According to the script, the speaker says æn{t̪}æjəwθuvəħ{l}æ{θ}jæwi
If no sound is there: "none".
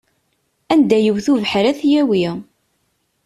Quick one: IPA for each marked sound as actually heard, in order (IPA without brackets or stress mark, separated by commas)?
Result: d̪, ɾ, θ